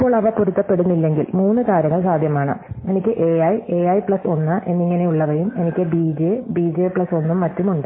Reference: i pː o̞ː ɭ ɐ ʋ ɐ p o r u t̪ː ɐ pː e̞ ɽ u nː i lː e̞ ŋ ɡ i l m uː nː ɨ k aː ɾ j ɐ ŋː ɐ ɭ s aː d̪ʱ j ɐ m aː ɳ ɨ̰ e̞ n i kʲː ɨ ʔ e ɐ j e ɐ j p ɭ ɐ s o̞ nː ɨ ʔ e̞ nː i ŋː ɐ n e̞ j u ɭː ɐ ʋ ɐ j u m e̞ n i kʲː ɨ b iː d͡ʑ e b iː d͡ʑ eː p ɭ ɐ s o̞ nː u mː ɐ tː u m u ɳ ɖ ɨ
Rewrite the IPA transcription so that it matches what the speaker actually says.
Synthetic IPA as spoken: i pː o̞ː ɭ ɐ ʋ ɐ p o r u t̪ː ɐ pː e̞ ɽ u nː i lː e̞ ŋ ɡ i l m uː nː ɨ k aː ɾ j ɐ ŋː ɐ ɭ s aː d̪ʱ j ɐ m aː ɳ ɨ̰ e̞ n i kʲː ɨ ʔ e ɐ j e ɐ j p ɭ ɐ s o̞ nː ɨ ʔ e̞ nː i ŋː ɐ n e̞ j u ɭː ɐ ʋ ɐ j u m e̞ n i kʲː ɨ b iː d͡ʑ e b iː d͡ʑ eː p ɭ ɐ s o̞ nː u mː ɐ tː u m u ɳ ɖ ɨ